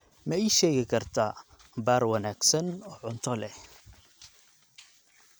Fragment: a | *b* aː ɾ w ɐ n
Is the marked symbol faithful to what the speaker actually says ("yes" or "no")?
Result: yes